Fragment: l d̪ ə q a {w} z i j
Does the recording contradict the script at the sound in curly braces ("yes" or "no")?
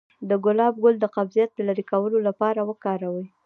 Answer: yes